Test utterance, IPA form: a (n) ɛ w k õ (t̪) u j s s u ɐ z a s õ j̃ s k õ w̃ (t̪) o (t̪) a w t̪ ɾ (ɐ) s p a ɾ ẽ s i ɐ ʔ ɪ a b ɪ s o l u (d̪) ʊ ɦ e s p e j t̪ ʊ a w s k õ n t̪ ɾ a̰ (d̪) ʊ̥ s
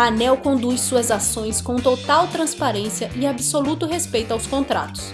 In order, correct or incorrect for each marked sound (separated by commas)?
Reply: correct, incorrect, correct, correct, incorrect, incorrect, incorrect